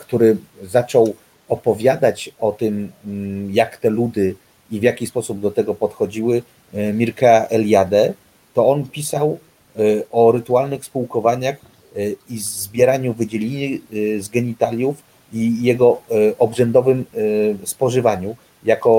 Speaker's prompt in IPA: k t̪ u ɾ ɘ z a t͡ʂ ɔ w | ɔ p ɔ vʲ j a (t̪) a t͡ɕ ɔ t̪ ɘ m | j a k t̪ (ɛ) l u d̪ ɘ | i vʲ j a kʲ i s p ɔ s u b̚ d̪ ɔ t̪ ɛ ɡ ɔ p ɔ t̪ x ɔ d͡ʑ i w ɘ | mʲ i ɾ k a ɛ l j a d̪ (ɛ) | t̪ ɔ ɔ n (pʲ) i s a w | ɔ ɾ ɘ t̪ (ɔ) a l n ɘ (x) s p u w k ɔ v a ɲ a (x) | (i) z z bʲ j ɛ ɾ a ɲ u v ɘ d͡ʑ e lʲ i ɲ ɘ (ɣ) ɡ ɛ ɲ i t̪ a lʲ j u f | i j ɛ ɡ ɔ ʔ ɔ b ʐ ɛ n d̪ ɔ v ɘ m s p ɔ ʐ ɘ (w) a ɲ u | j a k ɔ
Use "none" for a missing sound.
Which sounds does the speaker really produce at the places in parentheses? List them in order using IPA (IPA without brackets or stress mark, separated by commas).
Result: d̪, ɛ, ɛ, pʲ, u, x, x, i, z, v